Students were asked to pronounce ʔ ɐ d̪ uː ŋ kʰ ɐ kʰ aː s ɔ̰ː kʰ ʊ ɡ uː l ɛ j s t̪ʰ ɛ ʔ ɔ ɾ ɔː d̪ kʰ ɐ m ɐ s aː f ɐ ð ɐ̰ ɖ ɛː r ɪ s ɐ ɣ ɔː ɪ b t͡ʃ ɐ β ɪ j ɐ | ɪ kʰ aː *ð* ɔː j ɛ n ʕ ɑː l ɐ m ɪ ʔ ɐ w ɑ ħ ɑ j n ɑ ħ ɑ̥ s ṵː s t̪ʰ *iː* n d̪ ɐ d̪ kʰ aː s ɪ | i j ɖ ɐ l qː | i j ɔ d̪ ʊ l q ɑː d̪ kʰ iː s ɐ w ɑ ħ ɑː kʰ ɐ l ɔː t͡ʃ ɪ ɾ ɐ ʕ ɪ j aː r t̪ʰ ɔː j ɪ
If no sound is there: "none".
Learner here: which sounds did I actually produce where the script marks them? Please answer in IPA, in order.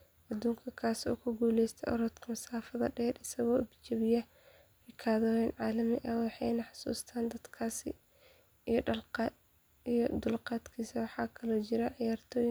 ð, aː

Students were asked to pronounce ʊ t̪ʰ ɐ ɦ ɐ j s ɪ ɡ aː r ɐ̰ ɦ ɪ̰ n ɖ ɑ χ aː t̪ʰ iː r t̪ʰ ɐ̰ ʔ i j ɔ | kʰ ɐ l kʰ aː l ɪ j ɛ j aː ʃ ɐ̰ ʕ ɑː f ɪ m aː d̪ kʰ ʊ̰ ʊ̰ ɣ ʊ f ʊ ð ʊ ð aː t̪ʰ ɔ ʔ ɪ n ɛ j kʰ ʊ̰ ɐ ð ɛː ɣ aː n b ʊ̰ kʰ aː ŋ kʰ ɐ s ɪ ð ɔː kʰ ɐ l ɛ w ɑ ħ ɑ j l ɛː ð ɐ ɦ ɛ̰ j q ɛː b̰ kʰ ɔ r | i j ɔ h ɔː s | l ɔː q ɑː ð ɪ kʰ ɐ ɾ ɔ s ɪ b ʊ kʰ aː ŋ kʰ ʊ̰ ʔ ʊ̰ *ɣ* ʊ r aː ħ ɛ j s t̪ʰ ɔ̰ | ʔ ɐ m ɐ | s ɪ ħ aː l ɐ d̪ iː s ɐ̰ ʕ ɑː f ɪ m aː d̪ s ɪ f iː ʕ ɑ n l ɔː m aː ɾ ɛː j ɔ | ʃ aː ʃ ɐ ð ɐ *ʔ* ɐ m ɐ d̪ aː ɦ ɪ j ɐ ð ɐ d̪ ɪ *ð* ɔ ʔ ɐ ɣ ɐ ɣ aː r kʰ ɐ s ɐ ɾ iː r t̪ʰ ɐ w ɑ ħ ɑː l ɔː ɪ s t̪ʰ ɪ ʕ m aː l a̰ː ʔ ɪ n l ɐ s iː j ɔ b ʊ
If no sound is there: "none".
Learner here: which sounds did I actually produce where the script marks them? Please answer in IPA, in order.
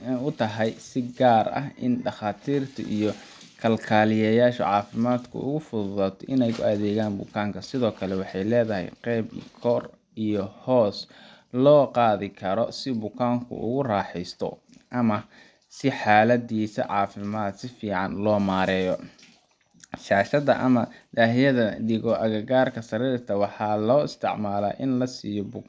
ɣ, ʔ, ɣ

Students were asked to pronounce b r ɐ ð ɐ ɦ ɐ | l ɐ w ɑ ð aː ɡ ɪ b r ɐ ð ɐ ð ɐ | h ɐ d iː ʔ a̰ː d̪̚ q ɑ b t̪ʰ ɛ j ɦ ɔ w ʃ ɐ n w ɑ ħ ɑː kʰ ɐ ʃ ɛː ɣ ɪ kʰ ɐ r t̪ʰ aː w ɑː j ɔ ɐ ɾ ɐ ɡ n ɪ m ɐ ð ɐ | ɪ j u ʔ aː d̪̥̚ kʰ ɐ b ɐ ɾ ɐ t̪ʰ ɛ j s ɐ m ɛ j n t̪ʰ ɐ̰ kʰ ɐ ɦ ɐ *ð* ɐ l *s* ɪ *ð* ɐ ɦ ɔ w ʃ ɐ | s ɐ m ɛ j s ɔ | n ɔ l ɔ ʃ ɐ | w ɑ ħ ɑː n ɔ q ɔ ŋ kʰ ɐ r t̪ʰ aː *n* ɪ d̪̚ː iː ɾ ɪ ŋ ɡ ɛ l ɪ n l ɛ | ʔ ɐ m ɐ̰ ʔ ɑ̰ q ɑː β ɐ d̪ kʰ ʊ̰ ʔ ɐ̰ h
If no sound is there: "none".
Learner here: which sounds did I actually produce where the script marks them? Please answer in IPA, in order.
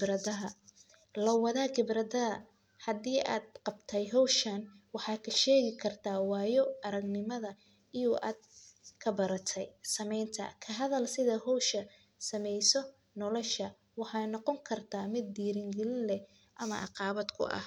ð, s, ð, m

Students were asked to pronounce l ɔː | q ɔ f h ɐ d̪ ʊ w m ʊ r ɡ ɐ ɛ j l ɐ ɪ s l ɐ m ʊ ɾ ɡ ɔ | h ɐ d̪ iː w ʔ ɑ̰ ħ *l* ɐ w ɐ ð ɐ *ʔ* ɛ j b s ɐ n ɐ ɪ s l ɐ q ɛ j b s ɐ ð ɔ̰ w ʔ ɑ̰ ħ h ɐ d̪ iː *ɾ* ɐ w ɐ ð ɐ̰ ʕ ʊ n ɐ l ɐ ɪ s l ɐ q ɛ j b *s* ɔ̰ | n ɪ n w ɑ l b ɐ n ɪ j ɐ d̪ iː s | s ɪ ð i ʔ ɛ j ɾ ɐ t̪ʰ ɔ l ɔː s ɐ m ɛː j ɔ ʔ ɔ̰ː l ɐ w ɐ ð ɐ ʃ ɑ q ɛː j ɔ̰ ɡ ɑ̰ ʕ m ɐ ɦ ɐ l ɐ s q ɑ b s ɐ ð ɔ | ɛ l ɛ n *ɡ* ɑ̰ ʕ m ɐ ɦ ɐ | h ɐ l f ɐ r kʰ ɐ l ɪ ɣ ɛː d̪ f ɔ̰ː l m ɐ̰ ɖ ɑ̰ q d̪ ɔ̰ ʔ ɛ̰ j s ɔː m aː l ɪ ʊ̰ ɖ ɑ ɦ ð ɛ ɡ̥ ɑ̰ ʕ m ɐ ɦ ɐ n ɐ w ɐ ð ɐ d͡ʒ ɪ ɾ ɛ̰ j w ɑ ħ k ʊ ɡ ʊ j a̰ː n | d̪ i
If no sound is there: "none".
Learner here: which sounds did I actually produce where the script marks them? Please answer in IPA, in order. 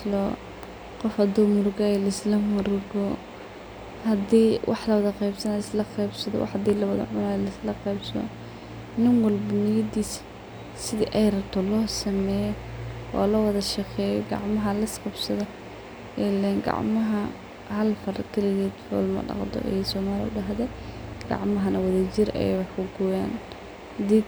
l, q, l, s, ɡ

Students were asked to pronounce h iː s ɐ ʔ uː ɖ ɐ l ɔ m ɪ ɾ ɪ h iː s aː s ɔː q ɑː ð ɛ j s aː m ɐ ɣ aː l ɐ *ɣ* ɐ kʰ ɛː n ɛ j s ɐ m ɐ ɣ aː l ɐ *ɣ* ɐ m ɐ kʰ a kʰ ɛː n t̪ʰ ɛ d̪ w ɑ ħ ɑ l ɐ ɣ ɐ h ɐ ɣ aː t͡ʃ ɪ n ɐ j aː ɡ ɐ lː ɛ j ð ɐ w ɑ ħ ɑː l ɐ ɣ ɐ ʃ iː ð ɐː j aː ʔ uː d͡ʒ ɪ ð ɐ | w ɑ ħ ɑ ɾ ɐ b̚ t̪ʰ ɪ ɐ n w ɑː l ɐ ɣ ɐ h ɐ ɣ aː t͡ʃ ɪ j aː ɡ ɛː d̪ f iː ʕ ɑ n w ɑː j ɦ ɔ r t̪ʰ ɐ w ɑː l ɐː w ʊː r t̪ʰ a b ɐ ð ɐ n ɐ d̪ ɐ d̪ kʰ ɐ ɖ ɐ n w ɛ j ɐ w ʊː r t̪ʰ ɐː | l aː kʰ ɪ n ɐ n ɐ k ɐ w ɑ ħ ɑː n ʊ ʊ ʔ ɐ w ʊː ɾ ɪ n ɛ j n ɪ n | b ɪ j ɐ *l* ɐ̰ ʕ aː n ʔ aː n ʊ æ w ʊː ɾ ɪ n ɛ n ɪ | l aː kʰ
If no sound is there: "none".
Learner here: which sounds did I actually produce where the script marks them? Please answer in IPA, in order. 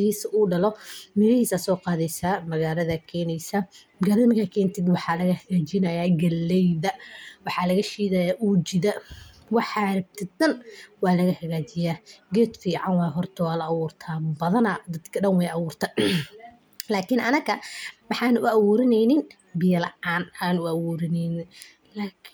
ð, ð, l

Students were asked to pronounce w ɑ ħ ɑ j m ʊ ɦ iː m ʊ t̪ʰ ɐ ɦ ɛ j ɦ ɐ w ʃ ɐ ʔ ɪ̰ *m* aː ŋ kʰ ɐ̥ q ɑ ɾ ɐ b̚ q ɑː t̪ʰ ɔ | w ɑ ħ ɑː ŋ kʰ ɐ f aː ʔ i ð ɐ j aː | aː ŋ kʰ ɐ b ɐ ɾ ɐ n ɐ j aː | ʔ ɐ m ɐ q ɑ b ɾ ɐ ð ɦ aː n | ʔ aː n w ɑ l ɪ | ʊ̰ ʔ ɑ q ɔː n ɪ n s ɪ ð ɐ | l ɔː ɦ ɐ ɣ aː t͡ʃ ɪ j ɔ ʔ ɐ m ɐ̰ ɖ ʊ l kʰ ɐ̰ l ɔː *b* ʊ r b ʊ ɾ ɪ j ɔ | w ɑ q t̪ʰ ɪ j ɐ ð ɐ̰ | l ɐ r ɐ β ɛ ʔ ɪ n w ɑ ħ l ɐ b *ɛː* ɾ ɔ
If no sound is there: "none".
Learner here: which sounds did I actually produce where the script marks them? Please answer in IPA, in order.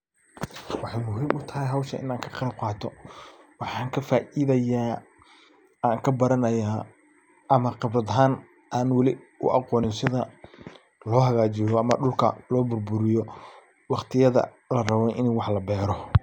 n, b, ɛː

